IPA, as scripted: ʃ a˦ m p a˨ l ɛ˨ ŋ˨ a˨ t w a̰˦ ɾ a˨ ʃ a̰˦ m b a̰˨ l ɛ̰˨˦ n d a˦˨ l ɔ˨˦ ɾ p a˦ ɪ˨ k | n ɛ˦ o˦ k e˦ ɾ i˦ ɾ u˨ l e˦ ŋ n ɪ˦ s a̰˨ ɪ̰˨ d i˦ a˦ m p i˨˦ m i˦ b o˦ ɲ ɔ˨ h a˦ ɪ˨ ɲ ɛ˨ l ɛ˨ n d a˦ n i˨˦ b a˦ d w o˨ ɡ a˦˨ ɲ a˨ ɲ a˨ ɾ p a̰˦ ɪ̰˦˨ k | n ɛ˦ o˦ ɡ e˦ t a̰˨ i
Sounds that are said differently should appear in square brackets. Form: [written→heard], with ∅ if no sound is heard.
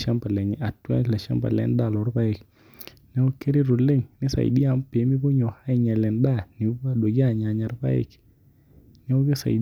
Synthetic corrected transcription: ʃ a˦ m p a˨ l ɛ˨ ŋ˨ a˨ t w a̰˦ [ɾ→l] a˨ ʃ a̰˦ m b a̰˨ l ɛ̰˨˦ n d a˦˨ l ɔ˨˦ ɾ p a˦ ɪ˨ k | n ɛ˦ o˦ k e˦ ɾ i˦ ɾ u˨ l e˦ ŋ n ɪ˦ s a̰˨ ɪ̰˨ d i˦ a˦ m p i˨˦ m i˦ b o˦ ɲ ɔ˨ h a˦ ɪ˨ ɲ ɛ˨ l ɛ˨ n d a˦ n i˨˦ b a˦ d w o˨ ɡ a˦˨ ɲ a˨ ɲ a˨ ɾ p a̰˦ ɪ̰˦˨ k | n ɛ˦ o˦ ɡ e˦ [t→s] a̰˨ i